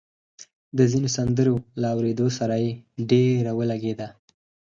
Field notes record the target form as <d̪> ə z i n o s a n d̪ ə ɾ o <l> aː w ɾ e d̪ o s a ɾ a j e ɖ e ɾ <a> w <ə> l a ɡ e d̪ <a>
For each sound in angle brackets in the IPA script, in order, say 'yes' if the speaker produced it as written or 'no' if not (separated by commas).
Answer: yes, yes, yes, yes, yes